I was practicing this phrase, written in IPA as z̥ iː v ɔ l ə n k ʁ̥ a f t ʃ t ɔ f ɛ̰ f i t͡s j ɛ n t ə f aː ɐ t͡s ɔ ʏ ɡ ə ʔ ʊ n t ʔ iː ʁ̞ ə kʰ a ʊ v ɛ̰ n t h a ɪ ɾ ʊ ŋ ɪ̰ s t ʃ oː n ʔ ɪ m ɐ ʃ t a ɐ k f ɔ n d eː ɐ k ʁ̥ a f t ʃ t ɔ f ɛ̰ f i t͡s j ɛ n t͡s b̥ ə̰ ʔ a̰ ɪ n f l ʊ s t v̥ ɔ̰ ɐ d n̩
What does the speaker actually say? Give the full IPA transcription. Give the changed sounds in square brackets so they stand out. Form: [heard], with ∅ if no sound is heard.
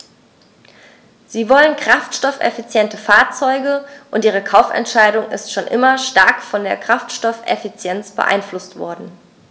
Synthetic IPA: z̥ iː v ɔ l ə n k ʁ̥ a f t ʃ t ɔ f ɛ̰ f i t͡s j ɛ n t ə f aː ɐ t͡s ɔ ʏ ɡ ə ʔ ʊ n t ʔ iː ʁ̞ ə kʰ a ʊ [f] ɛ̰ n t [ʃ] a ɪ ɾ ʊ ŋ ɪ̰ s t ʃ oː n ʔ ɪ m ɐ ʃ t a ɐ k f ɔ n d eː ɐ k ʁ̥ a f t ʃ t ɔ f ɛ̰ f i t͡s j ɛ n t͡s b̥ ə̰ ʔ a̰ ɪ n f l ʊ s t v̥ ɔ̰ ɐ d n̩